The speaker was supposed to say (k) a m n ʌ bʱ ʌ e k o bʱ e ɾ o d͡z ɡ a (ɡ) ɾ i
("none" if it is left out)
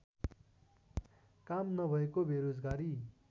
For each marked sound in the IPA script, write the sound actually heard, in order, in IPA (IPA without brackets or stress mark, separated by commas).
k, none